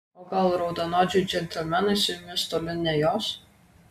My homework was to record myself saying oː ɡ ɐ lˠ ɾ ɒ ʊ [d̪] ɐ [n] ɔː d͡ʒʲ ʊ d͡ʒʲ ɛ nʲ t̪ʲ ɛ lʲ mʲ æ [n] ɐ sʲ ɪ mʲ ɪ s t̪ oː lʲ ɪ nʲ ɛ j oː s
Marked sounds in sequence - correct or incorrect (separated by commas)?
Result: correct, correct, correct